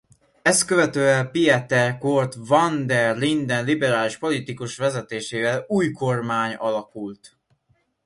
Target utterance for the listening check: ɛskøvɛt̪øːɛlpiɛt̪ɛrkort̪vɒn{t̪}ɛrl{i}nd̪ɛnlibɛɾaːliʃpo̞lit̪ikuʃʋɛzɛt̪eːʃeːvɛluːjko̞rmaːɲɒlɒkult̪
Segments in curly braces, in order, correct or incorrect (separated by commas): incorrect, correct